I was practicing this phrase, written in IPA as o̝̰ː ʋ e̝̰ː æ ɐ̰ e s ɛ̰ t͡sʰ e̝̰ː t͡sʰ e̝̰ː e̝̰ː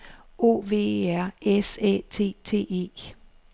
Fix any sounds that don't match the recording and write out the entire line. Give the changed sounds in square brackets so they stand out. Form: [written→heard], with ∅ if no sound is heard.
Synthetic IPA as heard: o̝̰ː ʋ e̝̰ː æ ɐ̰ e s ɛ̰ t͡sʰ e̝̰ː t͡sʰ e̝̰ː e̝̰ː

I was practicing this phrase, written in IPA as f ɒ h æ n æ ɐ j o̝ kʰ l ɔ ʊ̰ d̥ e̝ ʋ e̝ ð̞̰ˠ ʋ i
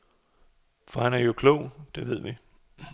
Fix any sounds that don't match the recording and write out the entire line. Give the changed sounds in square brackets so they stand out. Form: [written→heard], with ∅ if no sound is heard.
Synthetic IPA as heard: f ɒ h æ n æ ɐ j o̝ kʰ l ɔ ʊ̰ d̥ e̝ ʋ e̝ ð̞̰ˠ ʋ i

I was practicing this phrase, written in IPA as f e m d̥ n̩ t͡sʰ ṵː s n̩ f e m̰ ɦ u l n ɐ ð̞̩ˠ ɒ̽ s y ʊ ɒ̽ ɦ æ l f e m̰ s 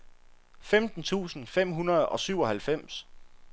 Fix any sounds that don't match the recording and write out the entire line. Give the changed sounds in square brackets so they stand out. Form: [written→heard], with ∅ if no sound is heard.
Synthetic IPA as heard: f e m d̥ n̩ t͡sʰ ṵː s n̩ f e m̰ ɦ u [l→∅] n ɐ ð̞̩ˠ ɒ̽ s y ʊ ɒ̽ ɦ æ l f e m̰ s

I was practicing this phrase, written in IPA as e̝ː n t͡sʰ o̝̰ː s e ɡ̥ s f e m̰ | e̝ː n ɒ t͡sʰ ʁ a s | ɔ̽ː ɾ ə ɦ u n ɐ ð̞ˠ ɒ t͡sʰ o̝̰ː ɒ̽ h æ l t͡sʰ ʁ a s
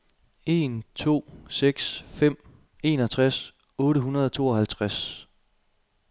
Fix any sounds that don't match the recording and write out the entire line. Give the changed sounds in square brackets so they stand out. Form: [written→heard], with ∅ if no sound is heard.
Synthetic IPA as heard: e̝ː n t͡sʰ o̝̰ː s e ɡ̥ s f e m̰ | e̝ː n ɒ t͡sʰ ʁ a s | ɔ̽ː ɾ ə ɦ u n ɐ ð̞ˠ ɒ t͡sʰ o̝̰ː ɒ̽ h æ l t͡sʰ ʁ a s

